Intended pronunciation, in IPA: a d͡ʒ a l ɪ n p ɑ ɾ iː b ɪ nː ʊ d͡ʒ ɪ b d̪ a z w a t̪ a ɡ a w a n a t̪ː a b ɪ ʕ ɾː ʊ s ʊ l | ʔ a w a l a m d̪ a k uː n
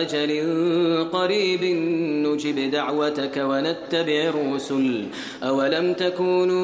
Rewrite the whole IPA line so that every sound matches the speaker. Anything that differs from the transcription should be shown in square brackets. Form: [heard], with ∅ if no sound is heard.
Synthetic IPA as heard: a d͡ʒ a l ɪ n [q] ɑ ɾ iː b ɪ nː ʊ d͡ʒ ɪ b d̪ a [ʕ] w a t̪ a [k] a w a n a t̪ː a b ɪ ʕ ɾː ʊ s ʊ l | ʔ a w a l a m [t̪] a k uː n